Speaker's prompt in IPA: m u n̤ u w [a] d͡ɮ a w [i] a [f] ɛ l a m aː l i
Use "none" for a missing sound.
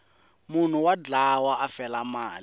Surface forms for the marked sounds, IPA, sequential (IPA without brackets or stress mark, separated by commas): a, a, f